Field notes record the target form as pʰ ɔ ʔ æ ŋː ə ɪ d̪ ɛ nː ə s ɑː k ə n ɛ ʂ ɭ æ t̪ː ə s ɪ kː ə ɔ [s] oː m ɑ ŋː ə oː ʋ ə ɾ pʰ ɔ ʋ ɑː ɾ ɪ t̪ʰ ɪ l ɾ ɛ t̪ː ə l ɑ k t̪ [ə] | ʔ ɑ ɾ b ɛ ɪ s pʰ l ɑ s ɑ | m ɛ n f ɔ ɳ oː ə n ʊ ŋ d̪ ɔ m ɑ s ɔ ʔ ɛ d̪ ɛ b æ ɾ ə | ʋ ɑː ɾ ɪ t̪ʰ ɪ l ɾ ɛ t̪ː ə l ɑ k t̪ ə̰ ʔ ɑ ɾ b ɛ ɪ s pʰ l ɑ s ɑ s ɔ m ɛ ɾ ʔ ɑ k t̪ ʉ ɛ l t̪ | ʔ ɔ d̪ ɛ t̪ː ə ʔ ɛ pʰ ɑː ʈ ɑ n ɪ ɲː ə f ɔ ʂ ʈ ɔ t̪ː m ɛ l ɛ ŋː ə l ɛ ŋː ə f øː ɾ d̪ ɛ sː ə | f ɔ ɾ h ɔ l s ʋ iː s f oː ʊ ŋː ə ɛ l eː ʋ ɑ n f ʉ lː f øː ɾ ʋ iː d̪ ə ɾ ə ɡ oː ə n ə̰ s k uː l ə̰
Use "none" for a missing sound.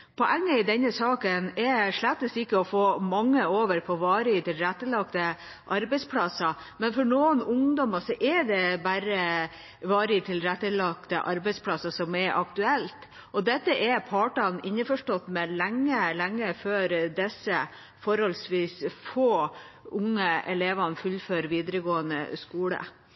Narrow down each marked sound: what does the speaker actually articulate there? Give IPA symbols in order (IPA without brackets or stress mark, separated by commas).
f, ə